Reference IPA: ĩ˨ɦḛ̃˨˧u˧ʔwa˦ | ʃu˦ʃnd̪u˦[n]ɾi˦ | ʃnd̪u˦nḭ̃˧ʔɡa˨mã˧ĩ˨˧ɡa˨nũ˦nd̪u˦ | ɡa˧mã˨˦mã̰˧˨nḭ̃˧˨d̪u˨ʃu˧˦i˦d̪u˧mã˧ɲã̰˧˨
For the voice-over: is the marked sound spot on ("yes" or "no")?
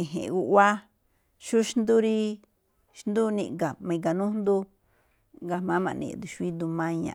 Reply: no